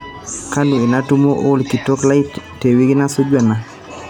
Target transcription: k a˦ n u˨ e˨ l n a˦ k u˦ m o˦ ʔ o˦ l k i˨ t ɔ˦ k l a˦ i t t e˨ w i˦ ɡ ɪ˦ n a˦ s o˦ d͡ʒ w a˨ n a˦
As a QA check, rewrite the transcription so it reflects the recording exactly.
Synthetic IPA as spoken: k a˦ n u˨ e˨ n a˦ t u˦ m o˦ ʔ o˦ l k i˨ t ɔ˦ k l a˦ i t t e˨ w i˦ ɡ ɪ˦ n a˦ s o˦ d͡ʒ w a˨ n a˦